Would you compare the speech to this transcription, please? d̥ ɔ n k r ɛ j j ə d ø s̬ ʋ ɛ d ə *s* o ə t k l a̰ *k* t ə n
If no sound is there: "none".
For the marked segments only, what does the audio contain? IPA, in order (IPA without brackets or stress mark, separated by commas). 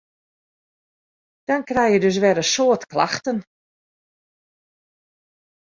s, x